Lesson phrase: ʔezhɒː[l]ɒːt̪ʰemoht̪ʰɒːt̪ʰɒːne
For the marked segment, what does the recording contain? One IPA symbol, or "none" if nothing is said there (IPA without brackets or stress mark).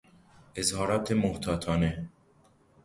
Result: ɾ